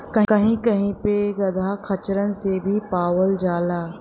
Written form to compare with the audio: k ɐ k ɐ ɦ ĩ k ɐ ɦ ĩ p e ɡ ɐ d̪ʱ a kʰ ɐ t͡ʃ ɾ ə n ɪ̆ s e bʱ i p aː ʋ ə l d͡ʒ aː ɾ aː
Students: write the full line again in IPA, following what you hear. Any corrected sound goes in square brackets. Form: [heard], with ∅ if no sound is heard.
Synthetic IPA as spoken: k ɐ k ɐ ɦ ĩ k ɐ ɦ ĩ p e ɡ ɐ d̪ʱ a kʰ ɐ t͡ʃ ɾ ə n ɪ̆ s e bʱ i p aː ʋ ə l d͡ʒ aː [l] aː